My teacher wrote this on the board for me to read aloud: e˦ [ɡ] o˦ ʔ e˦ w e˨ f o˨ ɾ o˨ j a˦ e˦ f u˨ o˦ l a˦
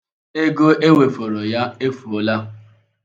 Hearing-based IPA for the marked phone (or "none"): ɡ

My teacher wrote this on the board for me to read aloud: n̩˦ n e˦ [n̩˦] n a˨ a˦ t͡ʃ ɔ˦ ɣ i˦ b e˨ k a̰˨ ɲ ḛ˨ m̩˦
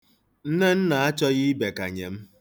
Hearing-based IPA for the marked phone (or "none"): n̩˦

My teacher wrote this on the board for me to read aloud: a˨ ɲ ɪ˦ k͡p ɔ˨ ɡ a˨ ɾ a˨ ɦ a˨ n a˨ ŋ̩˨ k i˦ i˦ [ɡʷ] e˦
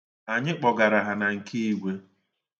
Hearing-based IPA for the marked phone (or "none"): ɡʷ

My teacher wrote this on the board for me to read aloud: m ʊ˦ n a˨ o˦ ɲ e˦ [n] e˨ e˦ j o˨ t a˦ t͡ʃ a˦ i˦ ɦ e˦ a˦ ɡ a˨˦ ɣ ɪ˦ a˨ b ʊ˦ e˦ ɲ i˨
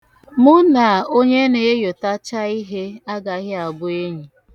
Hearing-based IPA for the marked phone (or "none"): n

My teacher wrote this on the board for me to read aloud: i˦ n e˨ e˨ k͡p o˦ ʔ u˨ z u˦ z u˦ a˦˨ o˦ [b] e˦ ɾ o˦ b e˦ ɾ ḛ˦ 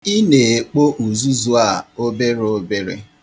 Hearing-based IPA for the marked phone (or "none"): b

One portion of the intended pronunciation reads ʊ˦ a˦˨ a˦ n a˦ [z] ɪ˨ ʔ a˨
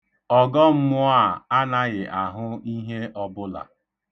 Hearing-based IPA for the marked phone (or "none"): ɣ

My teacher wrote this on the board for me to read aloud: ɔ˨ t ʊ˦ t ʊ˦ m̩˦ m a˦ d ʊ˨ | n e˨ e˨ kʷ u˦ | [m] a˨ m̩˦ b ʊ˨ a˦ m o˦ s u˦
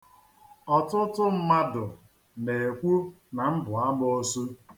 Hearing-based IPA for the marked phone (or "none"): n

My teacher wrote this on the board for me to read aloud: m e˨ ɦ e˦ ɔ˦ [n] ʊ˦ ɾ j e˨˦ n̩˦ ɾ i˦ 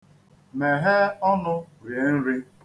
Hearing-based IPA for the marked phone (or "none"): n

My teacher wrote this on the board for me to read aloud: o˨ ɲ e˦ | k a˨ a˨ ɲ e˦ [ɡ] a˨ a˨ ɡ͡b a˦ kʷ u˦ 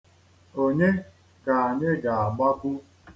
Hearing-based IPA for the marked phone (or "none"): ɡ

